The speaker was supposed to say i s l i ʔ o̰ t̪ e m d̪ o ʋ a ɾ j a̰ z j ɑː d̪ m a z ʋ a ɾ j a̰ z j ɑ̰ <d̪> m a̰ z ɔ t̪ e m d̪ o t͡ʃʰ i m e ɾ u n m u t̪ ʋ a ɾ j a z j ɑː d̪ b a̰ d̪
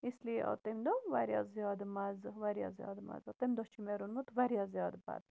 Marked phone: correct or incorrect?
correct